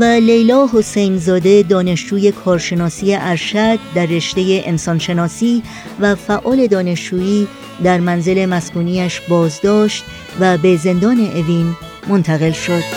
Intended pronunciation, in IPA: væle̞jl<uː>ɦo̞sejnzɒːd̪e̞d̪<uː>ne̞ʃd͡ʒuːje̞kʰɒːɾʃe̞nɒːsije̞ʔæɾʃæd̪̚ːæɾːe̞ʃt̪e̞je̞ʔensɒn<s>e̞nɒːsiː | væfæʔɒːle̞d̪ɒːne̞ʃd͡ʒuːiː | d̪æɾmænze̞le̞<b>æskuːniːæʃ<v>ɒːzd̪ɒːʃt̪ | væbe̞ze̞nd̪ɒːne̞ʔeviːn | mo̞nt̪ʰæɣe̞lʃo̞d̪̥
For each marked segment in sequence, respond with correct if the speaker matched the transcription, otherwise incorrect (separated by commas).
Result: incorrect, incorrect, incorrect, incorrect, incorrect